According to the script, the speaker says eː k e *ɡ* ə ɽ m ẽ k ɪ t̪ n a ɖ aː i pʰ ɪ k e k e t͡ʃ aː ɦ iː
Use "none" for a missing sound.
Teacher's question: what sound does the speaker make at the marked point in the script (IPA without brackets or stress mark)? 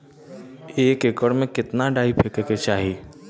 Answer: k